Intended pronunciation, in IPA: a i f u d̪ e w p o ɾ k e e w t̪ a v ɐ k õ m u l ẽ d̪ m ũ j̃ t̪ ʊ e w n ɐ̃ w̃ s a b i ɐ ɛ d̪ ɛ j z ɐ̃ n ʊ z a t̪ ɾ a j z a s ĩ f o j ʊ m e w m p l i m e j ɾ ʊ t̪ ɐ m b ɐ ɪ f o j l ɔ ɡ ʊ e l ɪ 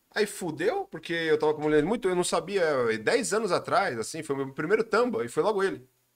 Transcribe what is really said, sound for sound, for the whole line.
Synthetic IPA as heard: a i f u d̪ e w p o ɾ k e e w t̪ a v ɐ k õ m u l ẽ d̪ m ũ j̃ t̪ ʊ e w n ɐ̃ w̃ s a b i ɐ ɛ d̪ ɛ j z ɐ̃ n ʊ z a t̪ ɾ a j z a s ĩ f o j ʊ m e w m p ɾ i m e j ɾ ʊ t̪ ɐ̃ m b ɐ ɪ f o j l ɔ ɡ ʊ e l ɪ